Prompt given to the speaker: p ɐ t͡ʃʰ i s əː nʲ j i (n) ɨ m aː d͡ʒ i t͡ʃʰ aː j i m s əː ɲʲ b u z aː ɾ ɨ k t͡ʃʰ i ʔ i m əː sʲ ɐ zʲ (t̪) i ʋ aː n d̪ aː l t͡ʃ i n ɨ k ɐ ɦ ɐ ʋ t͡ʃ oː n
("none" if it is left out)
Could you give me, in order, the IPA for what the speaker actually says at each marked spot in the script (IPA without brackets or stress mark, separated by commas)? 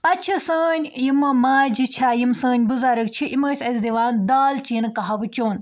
m, d̪